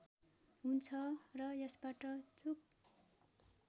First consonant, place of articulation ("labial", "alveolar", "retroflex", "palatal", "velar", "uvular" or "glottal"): glottal